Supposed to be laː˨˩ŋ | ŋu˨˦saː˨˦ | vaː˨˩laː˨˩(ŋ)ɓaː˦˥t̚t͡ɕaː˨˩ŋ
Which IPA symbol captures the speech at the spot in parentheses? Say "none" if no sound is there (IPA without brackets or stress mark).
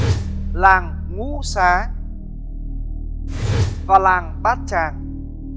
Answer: ŋ